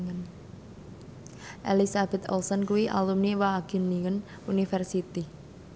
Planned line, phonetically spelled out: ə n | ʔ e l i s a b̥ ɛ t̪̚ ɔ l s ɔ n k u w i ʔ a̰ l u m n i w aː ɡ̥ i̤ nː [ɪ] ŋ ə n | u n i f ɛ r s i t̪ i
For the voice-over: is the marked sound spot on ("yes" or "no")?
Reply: no